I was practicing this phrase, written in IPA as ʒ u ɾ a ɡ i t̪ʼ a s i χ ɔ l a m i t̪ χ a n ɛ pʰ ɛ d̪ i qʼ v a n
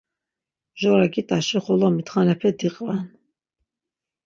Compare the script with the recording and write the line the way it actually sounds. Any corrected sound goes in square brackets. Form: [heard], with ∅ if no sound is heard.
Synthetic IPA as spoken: ʒ [ɔ] ɾ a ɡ i t̪ʼ a [ʃ] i χ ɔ l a m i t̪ χ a n ɛ pʰ ɛ d̪ i qʼ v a n